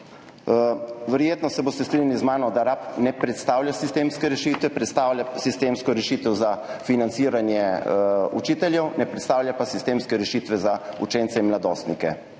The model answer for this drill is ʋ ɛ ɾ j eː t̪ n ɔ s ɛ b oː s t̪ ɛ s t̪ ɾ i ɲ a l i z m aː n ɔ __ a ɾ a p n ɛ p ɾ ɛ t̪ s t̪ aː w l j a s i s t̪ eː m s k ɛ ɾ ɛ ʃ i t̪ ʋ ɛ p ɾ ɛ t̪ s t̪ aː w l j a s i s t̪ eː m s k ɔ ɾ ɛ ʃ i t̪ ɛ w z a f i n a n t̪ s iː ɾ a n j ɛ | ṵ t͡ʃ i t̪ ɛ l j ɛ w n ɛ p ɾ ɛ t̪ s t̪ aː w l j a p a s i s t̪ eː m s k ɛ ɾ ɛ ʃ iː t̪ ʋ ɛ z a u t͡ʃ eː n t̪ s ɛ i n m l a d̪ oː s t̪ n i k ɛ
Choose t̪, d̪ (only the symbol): d̪